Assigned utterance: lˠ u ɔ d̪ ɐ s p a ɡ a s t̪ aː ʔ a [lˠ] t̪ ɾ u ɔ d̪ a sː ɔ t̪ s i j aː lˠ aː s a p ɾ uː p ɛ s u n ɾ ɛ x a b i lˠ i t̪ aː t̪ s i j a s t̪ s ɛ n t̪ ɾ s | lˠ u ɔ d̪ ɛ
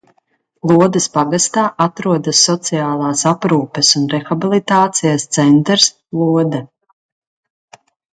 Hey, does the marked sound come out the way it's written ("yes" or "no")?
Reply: no